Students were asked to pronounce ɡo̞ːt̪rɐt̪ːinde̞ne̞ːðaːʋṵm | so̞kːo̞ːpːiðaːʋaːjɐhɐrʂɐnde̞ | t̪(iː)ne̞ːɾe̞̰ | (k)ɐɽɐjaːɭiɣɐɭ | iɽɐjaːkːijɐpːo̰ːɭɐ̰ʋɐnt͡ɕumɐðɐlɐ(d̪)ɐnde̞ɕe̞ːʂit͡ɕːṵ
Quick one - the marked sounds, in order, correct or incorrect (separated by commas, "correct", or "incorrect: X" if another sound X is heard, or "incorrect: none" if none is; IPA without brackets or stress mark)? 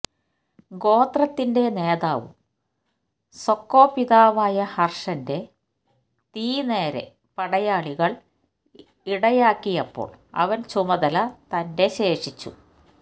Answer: correct, incorrect: p, incorrect: t̪